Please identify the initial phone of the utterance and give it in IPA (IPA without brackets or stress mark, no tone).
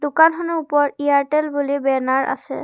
d